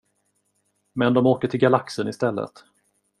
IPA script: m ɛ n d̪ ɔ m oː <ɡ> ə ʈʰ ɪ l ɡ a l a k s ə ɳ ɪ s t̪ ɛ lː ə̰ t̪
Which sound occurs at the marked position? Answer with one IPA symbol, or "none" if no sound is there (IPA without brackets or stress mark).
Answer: k